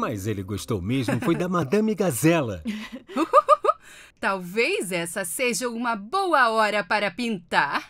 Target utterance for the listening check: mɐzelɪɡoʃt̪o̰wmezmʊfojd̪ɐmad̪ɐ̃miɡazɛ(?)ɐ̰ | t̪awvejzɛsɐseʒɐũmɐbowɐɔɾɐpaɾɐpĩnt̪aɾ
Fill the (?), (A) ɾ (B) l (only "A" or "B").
B